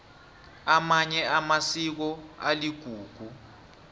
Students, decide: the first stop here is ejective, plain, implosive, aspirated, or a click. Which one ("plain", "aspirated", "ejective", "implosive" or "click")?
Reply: plain